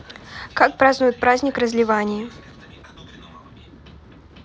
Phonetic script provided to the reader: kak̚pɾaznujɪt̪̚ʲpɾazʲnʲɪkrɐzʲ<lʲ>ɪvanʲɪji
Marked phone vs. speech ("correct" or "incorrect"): correct